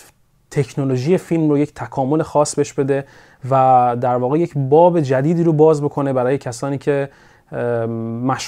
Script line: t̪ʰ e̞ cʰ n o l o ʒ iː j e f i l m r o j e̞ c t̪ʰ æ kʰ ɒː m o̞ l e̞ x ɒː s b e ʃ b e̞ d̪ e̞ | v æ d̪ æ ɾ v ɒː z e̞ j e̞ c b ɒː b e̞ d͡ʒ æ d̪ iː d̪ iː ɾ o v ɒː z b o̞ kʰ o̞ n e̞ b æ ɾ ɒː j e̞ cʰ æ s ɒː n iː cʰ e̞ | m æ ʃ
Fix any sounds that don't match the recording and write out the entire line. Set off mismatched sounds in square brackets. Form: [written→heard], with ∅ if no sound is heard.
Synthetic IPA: t̪ʰ e̞ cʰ n o l o ʒ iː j e f i l m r o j e̞ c t̪ʰ æ kʰ ɒː m o̞ l e̞ x ɒː s b e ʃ b e̞ d̪ e̞ | v æ d̪ æ ɾ v ɒː [z→ɣ] e̞ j e̞ c b ɒː b e̞ d͡ʒ æ d̪ iː d̪ iː ɾ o [v→b] ɒː z b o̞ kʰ o̞ n e̞ b æ ɾ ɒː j e̞ cʰ æ s ɒː n iː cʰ e̞ | m æ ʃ